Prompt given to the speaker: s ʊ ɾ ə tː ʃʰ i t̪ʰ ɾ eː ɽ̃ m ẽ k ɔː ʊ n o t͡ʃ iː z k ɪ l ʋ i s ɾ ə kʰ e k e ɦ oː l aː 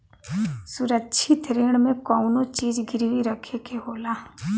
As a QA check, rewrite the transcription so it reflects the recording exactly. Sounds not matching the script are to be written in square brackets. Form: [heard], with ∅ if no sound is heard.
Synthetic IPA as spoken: s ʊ ɾ ə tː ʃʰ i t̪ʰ ɾ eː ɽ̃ m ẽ k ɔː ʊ n o t͡ʃ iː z [ɡ] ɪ [ɾ] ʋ i [∅] ɾ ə kʰ e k e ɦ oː l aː